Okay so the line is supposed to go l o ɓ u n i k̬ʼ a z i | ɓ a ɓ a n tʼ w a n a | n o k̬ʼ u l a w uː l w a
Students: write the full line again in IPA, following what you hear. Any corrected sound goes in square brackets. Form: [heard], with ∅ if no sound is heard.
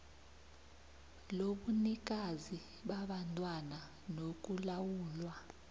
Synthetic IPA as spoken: l o ɓ u n i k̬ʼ a z i | ɓ a ɓ a n tʼ w a n a | n o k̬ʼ u l a w uː l w a

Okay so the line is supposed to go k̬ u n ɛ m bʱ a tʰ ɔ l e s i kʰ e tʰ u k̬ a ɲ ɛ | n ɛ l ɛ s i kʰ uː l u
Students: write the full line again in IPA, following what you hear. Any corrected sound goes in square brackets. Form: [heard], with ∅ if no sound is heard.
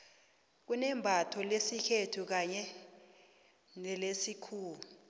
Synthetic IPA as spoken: k̬ u n ɛ m bʱ a tʰ ɔ l e s i kʰ e tʰ u k̬ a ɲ ɛ | n ɛ l [e] s i kʰ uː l u

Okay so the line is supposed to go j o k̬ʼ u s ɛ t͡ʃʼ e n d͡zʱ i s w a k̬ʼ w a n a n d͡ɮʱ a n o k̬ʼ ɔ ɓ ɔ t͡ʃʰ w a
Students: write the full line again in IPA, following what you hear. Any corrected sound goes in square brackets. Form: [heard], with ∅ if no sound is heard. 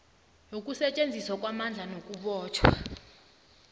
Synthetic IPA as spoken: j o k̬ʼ u s ɛ t͡ʃʼ e n d͡zʱ i s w a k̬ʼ w a [m] a n d͡ɮʱ a n o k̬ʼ [u] ɓ [ɔː] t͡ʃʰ w a

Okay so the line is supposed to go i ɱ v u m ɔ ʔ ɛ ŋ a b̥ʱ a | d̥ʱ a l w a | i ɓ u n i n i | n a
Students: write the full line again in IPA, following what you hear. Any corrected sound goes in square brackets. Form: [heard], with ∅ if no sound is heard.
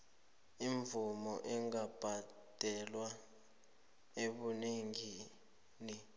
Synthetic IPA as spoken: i ɱ v u m ɔ ʔ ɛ ŋ a b̥ʱ a | d̥ʱ [ɛ] l w a | [e] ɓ u n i [ŋ] i | n [i]

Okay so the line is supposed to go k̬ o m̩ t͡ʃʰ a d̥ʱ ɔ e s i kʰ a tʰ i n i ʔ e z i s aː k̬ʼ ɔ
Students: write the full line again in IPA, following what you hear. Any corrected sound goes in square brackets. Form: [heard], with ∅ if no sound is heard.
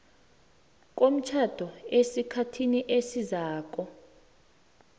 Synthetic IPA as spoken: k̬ o m̩ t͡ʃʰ a d̥ʱ ɔ e s i kʰ a tʰ i n i ʔ e [s] i [z] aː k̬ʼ ɔ

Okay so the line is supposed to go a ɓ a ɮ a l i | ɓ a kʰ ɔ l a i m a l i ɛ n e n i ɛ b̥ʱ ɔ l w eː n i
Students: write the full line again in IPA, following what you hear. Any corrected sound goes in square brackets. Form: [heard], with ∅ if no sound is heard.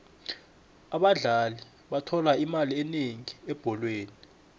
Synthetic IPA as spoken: a ɓ a ɮ a l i | ɓ a [tʰ] ɔ l a i m a l i ɛ n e [ŋ] i ɛ b̥ʱ ɔ l w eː n i

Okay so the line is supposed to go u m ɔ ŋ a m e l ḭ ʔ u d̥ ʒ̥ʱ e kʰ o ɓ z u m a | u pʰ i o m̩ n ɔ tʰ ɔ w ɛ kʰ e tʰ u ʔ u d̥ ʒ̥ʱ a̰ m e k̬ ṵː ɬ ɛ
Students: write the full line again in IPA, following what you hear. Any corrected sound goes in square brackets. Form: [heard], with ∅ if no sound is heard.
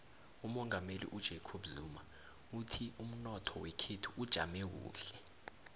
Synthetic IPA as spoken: u m ɔ ŋ a m e l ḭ ʔ u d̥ ʒ̥ʱ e kʰ o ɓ z u m a | u [tʰ] i [u] m̩ n ɔ tʰ ɔ w ɛ kʰ e tʰ u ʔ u d̥ ʒ̥ʱ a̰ m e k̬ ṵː ɬ ɛ

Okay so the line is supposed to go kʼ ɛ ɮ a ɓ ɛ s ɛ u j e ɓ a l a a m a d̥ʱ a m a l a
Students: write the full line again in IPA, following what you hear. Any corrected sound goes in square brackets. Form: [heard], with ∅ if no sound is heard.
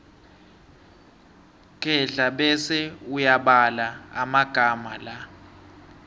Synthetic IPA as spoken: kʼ ɛ ɮ a ɓ ɛ s ɛ u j [a] ɓ a l a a m a [ɡ̥ʱ] a m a l a

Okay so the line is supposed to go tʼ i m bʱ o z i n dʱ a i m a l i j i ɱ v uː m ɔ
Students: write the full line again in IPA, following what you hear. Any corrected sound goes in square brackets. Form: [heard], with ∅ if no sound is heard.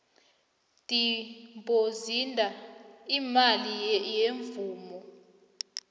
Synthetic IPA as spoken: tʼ i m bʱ o z i n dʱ a i m a l i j [e] ɱ v uː m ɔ

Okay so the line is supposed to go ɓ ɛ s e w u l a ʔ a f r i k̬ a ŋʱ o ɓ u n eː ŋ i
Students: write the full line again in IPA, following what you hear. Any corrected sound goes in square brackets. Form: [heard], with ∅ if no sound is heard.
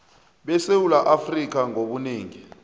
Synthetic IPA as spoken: ɓ ɛ s e w u l a ʔ a f r i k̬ a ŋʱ o ɓ u n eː ŋ i

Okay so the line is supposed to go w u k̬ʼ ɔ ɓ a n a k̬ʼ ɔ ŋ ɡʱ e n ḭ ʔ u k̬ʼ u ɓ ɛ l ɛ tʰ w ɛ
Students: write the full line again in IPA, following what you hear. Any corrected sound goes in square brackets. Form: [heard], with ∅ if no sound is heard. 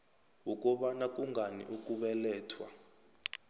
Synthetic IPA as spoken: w u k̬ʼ ɔ ɓ a n a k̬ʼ [u] ŋ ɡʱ [a] n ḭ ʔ u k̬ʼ u ɓ ɛ l [ɛː] tʰ w [a]

